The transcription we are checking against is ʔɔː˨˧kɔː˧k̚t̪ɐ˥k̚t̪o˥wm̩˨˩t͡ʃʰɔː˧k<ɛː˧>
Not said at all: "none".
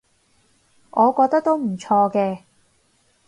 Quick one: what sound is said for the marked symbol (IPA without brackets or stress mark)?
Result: ɛː˧